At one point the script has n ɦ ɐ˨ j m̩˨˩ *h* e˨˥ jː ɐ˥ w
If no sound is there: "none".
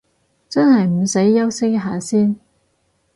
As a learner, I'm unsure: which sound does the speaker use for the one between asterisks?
s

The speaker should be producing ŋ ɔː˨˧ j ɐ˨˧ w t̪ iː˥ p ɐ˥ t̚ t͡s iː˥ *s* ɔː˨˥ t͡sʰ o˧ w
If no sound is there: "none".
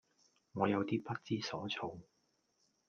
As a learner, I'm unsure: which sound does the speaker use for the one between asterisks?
s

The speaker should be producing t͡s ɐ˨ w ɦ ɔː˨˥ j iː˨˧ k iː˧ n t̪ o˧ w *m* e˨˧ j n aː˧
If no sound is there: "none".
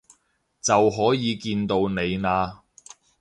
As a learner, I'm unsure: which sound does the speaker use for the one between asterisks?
n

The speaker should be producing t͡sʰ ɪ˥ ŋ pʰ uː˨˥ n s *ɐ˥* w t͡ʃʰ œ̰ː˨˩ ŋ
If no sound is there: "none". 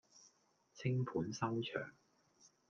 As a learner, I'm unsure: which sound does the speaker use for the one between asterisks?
ɐ˥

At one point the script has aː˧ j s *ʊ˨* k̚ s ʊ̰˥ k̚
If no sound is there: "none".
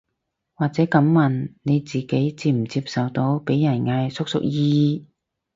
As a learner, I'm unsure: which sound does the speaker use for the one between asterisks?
ʊ˥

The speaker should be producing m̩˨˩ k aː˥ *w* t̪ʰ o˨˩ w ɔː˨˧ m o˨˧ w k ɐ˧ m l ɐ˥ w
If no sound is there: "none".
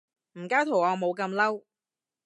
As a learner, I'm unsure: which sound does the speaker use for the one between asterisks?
w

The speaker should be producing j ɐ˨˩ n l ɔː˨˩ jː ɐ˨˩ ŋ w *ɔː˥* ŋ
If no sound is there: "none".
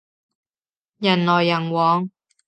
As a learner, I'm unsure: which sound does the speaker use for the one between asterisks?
ɔː˨˧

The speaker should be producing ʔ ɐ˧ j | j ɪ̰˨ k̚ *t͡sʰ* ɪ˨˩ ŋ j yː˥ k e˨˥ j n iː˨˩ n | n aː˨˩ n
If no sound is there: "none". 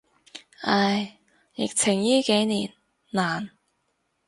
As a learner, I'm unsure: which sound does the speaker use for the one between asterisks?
t͡sʰ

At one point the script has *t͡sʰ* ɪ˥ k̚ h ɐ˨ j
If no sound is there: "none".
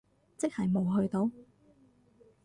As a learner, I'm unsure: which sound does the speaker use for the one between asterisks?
t͡s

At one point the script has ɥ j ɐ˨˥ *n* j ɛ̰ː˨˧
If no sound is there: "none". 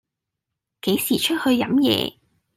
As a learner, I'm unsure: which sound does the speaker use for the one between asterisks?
m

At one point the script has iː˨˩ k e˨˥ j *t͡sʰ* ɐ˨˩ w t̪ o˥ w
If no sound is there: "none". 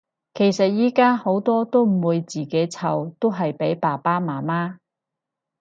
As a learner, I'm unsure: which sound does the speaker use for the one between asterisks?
t͡sʰ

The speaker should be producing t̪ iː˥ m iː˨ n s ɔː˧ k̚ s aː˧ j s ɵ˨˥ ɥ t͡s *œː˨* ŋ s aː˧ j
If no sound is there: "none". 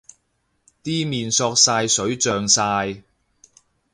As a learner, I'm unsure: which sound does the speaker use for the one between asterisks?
œː˨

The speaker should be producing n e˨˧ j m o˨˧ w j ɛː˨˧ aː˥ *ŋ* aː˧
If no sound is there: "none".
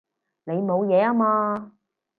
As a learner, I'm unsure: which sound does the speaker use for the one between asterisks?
m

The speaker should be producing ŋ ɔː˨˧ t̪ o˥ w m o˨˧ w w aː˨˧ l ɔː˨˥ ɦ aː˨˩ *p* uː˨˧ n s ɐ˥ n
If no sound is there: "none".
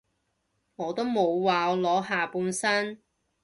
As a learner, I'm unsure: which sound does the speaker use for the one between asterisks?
p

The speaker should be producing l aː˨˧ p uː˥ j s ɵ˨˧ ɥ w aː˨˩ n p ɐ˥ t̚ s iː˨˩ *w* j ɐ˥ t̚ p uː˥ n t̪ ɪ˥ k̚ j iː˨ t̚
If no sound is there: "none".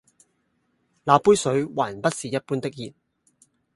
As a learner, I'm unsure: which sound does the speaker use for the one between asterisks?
none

